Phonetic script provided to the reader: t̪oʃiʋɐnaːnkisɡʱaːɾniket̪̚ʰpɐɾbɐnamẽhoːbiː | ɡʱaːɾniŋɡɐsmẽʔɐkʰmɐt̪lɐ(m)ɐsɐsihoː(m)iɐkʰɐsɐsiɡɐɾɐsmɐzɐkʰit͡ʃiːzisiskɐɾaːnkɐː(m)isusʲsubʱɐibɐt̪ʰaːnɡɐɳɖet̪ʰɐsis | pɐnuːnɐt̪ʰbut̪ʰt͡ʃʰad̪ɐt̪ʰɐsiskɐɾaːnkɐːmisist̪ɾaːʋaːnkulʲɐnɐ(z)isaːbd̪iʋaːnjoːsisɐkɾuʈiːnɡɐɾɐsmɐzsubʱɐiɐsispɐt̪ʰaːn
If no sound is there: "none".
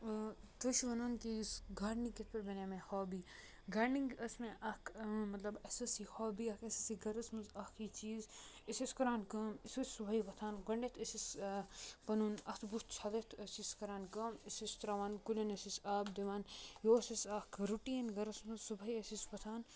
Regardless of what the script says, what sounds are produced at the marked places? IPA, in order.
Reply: b, b, m, s

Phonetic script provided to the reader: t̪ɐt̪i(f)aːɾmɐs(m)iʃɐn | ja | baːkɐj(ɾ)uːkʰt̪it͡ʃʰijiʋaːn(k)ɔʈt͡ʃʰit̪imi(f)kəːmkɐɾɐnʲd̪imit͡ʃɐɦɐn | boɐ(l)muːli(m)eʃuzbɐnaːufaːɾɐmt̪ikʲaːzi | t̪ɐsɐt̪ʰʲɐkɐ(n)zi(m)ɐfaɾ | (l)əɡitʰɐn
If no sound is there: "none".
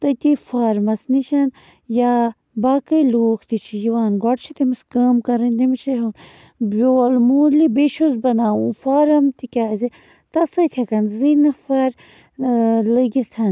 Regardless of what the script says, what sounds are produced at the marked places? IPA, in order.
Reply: f, n, l, ɡ, s, l, b, n, n, l

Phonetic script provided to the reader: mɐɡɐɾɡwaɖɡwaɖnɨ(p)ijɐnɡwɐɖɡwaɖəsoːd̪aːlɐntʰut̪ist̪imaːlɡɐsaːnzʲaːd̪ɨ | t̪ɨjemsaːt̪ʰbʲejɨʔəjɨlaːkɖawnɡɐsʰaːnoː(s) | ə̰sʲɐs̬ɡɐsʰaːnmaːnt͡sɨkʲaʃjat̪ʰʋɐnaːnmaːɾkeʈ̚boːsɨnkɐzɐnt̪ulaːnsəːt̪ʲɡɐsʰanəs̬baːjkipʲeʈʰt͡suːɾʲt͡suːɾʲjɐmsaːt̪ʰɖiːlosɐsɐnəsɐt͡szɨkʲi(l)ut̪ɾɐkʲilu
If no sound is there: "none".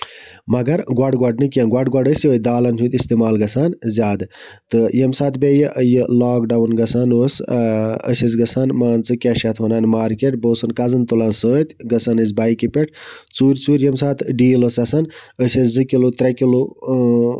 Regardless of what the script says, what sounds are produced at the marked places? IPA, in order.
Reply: k, s, l

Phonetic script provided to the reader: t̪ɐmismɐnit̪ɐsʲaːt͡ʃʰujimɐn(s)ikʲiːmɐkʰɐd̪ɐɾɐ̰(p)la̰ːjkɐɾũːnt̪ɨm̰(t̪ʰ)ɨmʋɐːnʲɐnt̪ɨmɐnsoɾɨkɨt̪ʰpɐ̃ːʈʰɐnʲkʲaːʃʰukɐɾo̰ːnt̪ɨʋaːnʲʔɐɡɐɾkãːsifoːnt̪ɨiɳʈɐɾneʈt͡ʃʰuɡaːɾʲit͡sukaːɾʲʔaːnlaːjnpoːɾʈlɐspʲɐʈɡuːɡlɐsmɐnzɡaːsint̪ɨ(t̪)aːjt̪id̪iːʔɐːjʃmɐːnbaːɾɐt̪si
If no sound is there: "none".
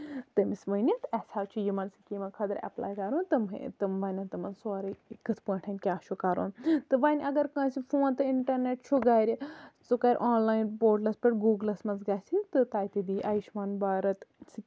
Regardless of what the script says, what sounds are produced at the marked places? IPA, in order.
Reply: s, p, t̪, t̪

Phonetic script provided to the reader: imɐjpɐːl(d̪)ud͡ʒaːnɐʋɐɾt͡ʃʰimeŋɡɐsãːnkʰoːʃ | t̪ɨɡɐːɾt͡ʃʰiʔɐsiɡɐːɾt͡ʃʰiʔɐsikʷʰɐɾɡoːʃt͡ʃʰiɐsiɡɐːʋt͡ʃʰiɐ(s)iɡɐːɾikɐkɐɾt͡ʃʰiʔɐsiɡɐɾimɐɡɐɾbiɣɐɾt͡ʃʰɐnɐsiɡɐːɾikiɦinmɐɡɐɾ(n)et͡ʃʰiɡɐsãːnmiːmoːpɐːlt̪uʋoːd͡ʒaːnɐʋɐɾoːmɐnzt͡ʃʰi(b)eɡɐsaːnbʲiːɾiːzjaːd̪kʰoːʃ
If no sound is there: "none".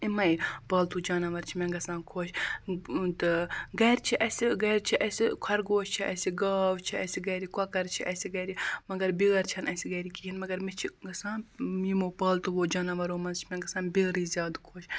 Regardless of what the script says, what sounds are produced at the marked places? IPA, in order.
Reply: t̪, s, m, m

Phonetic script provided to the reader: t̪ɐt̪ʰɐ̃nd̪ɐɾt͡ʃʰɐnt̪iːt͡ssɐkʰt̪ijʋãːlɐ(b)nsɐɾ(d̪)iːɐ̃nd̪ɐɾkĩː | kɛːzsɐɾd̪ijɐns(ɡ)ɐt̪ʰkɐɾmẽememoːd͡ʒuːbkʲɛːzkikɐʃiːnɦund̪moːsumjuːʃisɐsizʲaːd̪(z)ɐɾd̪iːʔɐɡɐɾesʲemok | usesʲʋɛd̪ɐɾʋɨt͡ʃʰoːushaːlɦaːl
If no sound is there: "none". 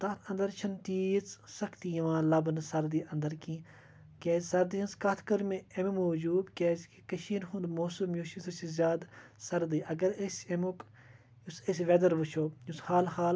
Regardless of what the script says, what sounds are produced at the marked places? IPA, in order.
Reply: b, d̪, k, s

